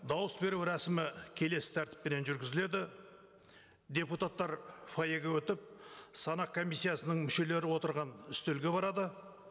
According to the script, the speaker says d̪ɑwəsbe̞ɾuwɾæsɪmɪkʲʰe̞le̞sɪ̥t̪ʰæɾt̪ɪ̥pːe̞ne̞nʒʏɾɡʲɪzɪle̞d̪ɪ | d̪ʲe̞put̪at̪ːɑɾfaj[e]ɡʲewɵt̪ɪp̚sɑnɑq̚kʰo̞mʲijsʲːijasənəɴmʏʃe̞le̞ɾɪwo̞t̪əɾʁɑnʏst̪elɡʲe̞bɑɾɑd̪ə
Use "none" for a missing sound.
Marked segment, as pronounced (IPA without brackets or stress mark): e